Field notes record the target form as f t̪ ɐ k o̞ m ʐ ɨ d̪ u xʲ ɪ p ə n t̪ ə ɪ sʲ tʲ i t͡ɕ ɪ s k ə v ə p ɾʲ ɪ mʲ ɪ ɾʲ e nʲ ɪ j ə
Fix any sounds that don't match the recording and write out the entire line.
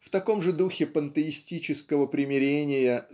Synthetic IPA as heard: f t̪ ɐ k o̞ m ʐ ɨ d̪ u xʲ ɪ p ə n t̪ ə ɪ sʲ tʲ i t͡ɕ ɪ s k ə v ə p ɾʲ ɪ mʲ ɪ ɾʲ e nʲ ɪ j ə